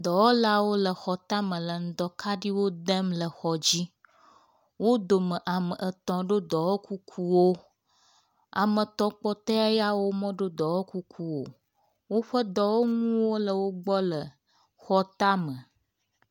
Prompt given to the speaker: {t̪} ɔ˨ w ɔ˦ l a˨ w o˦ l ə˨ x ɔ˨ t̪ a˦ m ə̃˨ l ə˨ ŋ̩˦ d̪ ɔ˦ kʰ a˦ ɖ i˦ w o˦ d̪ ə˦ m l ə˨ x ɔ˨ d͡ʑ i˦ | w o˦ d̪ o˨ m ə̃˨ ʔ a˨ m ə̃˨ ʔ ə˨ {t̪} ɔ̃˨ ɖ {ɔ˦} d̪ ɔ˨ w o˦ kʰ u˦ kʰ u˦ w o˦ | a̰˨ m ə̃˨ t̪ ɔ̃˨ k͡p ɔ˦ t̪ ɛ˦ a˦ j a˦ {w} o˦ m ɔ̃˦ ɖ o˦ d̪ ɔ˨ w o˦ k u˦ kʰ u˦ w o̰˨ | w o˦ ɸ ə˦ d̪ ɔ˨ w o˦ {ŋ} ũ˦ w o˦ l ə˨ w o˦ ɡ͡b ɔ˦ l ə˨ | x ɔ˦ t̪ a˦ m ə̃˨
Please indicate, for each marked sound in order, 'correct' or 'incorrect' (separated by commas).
incorrect, correct, incorrect, correct, correct